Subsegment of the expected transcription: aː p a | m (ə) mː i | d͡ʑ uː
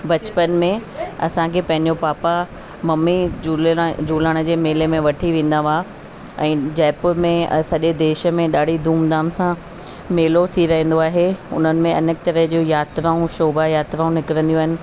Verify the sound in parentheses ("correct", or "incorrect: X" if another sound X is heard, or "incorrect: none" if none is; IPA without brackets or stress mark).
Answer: incorrect: ɐ